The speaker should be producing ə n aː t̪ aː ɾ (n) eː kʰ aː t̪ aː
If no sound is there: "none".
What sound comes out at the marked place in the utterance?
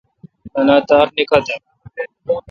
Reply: n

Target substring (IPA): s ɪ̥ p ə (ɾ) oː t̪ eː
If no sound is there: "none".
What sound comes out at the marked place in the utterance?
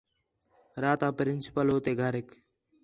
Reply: l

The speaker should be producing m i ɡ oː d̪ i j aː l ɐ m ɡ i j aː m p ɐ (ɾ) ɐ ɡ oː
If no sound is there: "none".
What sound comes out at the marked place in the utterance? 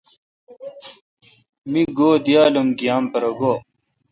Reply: ɾ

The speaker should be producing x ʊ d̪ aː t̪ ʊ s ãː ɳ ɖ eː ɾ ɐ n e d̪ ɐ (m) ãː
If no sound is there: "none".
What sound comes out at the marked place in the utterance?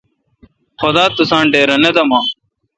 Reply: m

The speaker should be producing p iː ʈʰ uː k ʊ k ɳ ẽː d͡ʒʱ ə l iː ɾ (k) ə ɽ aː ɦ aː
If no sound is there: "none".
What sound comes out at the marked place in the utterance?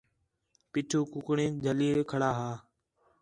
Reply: kʰ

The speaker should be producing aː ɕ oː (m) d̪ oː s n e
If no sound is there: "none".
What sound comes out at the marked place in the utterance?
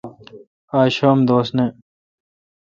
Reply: m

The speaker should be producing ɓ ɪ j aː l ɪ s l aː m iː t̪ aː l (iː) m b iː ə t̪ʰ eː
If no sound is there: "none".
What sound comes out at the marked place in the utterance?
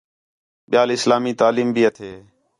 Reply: iː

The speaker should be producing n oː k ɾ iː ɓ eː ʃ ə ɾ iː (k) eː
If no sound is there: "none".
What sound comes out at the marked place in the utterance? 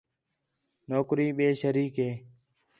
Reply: k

